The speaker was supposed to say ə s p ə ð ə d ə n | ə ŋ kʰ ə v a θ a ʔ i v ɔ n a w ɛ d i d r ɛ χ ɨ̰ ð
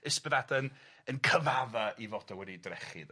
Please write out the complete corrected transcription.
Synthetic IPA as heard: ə s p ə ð a d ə n | ə n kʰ ə v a ð a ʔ i v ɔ d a w ɛ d i d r ɛ χ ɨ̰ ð

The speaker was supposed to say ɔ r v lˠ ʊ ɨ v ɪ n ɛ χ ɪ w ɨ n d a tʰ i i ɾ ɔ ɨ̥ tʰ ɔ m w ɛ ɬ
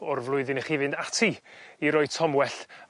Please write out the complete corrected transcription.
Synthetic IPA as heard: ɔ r v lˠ ʊ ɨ ð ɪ n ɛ χ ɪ v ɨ n d a tʰ i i ɾ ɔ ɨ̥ tʰ ɔ m w ɛ ɬ

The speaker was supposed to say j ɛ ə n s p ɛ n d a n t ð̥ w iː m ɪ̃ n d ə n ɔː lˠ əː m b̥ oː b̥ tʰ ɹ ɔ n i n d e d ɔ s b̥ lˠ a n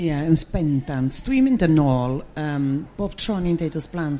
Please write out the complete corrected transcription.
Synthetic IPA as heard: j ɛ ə n s p ɛ n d a n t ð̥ w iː m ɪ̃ n d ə n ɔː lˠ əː m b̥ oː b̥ tʰ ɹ ɔ n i n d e d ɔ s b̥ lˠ a n

